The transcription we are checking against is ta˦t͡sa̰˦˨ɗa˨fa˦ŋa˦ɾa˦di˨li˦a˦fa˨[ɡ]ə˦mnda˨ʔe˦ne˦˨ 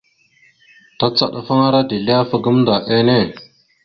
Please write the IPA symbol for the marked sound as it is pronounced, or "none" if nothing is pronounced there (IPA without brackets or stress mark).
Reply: ɡ